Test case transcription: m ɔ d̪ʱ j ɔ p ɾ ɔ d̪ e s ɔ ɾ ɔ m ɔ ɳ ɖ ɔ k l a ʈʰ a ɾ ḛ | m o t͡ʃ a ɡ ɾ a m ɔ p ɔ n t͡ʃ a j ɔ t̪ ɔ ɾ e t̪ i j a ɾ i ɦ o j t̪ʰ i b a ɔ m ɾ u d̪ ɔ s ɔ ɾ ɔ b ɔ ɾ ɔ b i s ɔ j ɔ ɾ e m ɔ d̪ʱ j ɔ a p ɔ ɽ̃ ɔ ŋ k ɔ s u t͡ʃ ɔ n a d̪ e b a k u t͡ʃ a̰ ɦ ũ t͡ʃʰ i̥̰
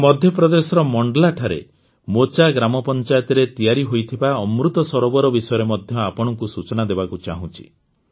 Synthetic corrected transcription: m ɔ d̪ʱ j ɔ p ɾ ɔ d̪ e s ɔ ɾ ɔ m ɔ ɳ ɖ ɔ l a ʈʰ a ɾ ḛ | m o t͡ʃ a ɡ ɾ a m ɔ p ɔ n t͡ʃ a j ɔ t̪ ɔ ɾ e t̪ i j a ɾ i ɦ o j t̪ʰ i b a ɔ m ɾ u t̪ ɔ s ɔ ɾ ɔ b ɔ ɾ ɔ b i s ɔ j ɔ ɾ e m ɔ d̪ʱ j ɔ a p ɔ ɽ̃ ɔ ŋ k u s u t͡ʃ ɔ n a d̪ e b a k u t͡ʃ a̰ ɦ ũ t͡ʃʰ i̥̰